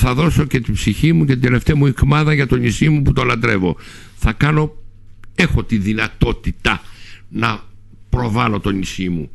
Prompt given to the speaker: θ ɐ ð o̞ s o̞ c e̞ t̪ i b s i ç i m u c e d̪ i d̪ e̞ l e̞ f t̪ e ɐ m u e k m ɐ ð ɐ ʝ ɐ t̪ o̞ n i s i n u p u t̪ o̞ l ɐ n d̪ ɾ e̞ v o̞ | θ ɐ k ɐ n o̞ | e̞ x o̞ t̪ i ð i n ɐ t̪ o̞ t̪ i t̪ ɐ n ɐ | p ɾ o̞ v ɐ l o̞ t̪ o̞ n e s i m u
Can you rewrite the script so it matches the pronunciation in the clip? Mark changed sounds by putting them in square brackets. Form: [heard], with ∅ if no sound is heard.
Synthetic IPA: θ ɐ ð o̞ s o̞ c e̞ t̪ i b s i ç i m u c e [t̪] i d̪ e̞ l e̞ f t̪ e ɐ m u [i] k m ɐ ð ɐ ʝ ɐ t̪ o̞ n i s i [m] u p u t̪ o̞ l ɐ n d̪ ɾ e̞ v o̞ | θ ɐ k ɐ n o̞ | e̞ x o̞ t̪ i ð i n ɐ t̪ o̞ t̪ i t̪ ɐ n ɐ | p ɾ o̞ v ɐ l o̞ t̪ o̞ n [i] s i m u